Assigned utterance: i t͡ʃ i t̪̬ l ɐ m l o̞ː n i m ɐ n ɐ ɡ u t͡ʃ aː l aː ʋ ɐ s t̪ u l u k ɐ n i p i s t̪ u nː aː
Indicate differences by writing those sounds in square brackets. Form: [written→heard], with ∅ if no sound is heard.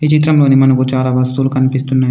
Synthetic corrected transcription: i t͡ʃ i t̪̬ [l→ɾ] ɐ m l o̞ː n i m ɐ n ɐ [ɡ→k] u t͡ʃ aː l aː ʋ ɐ s t̪ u l u k ɐ n i p i s t̪ u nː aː